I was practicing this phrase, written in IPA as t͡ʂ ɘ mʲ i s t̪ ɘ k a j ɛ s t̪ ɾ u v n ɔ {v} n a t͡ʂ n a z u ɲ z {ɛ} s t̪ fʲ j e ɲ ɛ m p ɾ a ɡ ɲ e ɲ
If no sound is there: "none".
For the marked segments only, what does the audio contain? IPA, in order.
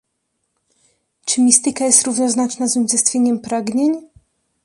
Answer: z, ɛ

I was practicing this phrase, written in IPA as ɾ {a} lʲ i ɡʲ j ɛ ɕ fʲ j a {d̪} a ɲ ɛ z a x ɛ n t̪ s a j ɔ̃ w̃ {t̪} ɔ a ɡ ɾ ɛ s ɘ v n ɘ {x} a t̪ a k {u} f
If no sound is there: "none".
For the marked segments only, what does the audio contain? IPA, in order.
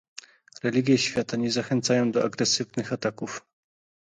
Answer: ɛ, t̪, d̪, x, u

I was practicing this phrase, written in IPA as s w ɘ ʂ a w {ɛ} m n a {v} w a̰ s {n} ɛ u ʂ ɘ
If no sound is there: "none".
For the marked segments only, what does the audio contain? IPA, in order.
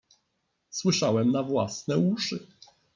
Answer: ɛ, v, n

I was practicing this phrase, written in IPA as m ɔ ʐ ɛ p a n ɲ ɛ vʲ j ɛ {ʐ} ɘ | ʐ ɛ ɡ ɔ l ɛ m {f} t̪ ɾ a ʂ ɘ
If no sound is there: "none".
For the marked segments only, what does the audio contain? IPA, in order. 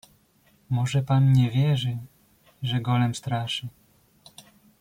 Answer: ʐ, s

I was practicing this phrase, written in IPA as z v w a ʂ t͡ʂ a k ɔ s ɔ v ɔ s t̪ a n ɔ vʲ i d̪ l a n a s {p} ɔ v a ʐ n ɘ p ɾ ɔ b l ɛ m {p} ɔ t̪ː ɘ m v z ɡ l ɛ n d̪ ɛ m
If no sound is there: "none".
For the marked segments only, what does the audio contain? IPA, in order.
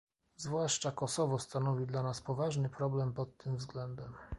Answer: p, p

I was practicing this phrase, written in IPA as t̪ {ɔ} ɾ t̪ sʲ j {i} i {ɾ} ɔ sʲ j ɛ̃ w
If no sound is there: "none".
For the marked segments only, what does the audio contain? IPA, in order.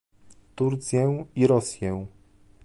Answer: u, ɛ, ɾ

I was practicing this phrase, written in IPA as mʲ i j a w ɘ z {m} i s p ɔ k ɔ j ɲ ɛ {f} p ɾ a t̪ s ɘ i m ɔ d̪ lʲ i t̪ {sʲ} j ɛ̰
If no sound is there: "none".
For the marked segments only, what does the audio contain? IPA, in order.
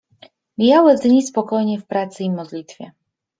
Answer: ɲ, f, fʲ

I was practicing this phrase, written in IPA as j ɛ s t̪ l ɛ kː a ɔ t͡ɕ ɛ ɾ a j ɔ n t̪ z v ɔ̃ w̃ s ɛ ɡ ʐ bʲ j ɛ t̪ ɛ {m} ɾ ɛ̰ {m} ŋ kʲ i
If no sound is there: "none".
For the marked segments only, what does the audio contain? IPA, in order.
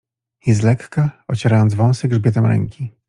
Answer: m, none

